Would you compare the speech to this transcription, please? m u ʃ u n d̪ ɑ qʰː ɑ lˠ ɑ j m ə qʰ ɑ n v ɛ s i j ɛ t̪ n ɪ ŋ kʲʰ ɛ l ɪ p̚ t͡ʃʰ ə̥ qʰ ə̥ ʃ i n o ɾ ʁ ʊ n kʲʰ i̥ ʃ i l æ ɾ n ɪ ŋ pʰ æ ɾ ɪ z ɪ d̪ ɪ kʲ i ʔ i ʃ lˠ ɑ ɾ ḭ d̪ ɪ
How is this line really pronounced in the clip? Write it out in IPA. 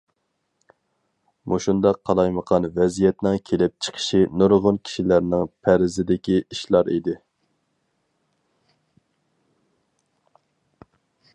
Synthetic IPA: m u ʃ u n d̪ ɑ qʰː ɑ lˠ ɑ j m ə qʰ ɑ n v ɛ z i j ɛ t̪ n ɪ ŋ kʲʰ e l ɪ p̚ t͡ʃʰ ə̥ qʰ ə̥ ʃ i n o ɾ ʁ ʊ n kʲʰ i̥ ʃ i l æ ɾ n ɪ ŋ pʰ æ ɾ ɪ z ɪ d̪ ɪ kʲ i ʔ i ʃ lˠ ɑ ɾ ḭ d̪ ɪ